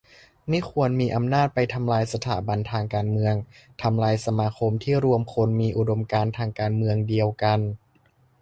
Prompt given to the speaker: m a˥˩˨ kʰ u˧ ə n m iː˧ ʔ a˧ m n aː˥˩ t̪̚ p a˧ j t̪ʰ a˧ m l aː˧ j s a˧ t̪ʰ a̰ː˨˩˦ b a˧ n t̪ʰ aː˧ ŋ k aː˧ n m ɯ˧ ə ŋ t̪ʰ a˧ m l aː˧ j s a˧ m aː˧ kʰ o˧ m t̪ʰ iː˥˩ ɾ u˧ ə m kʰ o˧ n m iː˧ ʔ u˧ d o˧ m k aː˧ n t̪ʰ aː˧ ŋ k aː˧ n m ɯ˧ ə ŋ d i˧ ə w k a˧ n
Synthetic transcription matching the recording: m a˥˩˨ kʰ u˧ ə n m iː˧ ʔ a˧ m n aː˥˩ t̪̚ p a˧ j t̪ʰ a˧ m l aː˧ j s a˧ t̪ʰ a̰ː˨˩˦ b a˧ n t̪ʰ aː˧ ŋ k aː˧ n m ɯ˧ ə ŋ t̪ʰ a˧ m l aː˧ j s a˧ m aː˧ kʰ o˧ m t̪ʰ iː˥˩ ɾ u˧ ə m kʰ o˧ n m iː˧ ʔ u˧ d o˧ m k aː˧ n t̪ʰ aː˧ ŋ k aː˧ n m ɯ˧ ə ŋ d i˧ ə w k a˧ n